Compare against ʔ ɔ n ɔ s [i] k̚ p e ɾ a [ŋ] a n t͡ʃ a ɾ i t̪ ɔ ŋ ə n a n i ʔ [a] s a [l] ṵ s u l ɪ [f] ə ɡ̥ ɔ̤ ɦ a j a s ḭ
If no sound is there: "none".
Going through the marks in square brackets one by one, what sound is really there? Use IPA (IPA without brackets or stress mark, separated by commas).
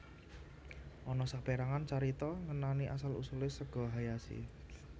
a, ŋ, a, l, s